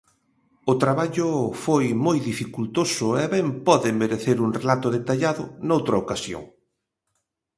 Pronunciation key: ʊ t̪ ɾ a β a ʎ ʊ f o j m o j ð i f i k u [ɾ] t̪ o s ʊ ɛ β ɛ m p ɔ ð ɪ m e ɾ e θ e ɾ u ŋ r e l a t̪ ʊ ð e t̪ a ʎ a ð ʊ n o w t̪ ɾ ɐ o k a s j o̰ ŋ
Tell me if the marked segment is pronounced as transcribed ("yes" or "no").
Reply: no